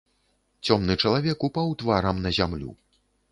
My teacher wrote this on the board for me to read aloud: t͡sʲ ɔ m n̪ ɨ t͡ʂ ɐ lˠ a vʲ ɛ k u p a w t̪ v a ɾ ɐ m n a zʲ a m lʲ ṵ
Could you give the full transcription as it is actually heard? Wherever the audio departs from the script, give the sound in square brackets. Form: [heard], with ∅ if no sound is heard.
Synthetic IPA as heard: t͡sʲ ɔ m n̪ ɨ t͡ʂ ɐ lˠ a vʲ ɛ k u p a w t̪ v a ɾ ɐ m n [ɐ] zʲ a m lʲ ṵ